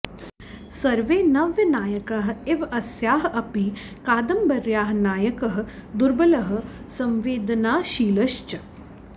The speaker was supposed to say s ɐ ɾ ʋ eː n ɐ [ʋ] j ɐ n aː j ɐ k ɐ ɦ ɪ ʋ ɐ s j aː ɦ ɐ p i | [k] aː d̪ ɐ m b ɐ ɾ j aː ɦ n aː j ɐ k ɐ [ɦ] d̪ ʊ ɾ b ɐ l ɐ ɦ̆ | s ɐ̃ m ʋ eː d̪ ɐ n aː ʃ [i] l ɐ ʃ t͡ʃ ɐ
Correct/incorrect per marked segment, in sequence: correct, correct, correct, incorrect: iː

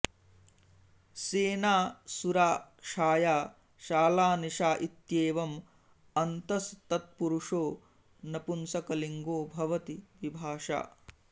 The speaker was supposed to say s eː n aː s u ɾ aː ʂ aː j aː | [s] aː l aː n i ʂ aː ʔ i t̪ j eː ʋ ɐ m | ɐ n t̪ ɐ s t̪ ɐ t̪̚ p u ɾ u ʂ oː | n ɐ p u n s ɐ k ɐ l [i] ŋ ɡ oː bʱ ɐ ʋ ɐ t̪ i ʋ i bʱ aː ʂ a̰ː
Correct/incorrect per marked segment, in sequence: incorrect: ʃ, correct

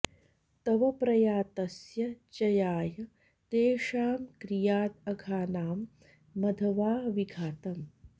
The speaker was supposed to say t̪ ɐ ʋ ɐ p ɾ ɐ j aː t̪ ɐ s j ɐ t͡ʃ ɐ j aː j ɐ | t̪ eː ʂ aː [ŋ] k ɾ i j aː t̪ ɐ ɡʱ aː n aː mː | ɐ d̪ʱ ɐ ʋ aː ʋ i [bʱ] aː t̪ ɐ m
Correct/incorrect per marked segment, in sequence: incorrect: m, incorrect: ɡʱ

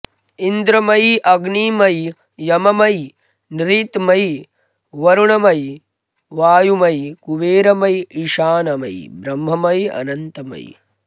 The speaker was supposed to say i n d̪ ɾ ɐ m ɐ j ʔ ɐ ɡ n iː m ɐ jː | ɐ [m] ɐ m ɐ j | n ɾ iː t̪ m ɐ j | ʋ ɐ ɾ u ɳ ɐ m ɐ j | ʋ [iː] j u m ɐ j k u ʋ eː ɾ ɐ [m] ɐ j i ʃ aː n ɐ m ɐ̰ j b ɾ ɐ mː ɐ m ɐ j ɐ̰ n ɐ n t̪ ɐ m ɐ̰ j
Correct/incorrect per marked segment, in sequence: correct, incorrect: aː, correct

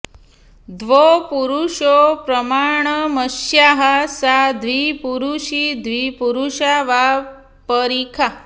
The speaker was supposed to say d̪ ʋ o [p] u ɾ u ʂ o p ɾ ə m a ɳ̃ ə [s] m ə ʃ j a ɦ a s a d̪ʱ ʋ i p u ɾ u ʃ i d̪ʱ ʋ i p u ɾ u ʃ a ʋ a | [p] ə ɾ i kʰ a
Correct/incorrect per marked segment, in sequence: correct, incorrect: none, correct

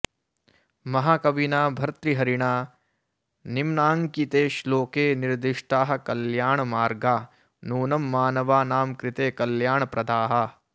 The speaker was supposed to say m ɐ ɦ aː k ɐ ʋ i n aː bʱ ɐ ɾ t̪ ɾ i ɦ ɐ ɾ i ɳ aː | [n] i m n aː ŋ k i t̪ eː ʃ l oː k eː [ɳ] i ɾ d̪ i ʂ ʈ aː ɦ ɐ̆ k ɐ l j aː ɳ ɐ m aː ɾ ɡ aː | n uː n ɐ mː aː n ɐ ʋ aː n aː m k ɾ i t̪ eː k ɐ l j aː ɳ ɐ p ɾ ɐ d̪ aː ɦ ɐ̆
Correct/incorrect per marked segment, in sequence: correct, incorrect: n

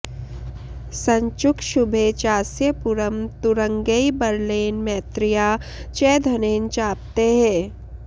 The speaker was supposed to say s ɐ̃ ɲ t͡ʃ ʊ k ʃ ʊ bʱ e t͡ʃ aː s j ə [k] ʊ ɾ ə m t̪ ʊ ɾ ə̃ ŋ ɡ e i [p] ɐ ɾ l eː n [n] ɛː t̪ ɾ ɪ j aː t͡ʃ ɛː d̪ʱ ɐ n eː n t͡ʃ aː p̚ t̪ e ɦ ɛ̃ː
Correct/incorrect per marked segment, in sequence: incorrect: p, incorrect: b, incorrect: m

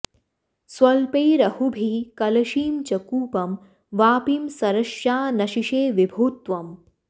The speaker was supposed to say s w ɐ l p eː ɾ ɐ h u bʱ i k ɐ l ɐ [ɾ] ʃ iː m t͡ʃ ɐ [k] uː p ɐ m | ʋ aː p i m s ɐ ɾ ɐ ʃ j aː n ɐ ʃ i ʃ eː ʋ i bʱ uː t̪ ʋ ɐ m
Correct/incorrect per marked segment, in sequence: incorrect: none, correct

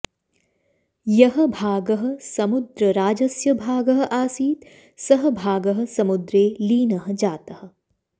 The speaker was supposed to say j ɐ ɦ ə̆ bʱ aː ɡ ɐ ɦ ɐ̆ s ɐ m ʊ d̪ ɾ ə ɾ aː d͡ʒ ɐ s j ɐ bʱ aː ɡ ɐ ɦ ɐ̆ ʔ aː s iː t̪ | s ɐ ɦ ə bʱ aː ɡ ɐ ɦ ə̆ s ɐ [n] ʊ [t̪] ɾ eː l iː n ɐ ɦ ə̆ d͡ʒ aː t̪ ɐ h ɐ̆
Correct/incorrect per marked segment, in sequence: incorrect: m, incorrect: d̪

